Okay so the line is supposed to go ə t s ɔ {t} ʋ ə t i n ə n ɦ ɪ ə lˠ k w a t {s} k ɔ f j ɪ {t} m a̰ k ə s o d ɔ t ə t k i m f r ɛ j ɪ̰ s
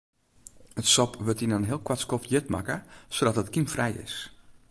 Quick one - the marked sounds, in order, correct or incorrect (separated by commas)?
incorrect, correct, correct